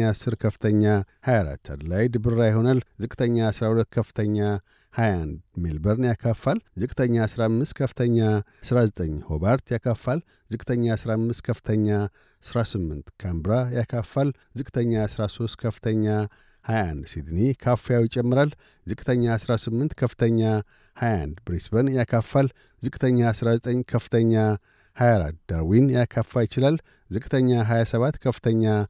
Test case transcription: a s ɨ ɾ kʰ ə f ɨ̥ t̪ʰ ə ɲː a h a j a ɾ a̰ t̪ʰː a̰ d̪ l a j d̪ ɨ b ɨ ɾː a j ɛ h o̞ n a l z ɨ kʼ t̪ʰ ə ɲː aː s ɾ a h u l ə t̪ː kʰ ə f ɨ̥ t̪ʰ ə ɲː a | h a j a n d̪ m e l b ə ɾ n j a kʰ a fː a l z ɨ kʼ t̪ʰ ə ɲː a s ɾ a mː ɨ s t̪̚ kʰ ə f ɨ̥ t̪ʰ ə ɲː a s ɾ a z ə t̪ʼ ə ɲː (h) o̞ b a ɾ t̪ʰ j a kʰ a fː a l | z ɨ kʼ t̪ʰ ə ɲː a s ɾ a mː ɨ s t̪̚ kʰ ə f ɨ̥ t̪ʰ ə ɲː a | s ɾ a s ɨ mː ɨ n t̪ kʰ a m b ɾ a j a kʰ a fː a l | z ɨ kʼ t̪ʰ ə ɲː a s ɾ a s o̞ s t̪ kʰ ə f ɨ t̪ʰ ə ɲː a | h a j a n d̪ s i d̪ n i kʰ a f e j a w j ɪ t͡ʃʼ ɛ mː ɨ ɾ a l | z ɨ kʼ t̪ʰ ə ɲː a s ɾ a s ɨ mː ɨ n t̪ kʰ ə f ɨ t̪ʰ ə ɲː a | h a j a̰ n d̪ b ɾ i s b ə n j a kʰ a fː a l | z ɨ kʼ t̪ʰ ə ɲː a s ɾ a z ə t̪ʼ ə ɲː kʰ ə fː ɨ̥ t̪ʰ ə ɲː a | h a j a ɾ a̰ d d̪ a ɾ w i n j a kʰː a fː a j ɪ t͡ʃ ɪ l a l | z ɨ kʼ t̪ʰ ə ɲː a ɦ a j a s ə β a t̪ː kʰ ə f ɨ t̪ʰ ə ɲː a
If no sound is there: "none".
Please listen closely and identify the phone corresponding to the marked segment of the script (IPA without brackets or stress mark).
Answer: h